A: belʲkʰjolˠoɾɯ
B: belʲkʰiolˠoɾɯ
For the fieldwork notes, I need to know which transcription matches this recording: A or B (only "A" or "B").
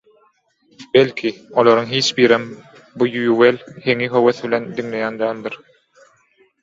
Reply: B